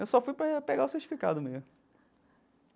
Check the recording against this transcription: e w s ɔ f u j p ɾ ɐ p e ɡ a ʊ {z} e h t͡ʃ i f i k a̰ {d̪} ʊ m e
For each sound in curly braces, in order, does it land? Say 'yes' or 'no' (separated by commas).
no, yes